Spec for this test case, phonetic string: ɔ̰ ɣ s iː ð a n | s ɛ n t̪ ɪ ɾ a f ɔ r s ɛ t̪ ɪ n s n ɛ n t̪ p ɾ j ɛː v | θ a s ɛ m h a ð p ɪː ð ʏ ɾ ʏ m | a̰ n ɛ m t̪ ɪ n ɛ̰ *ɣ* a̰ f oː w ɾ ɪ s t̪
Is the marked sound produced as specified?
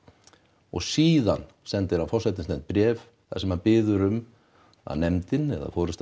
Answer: no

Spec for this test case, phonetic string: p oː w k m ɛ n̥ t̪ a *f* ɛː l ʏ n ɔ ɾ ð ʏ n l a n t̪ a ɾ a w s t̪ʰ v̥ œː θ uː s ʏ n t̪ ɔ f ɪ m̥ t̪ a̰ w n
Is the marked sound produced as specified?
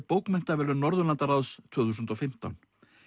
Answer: no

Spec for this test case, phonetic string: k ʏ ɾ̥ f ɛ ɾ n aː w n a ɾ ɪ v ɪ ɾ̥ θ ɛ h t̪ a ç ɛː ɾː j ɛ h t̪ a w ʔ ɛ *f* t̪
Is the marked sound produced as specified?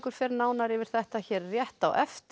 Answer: yes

